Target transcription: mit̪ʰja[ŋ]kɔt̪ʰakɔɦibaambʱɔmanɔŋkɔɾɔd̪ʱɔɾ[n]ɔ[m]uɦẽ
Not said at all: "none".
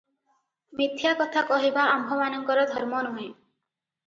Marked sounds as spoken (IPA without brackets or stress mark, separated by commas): none, m, n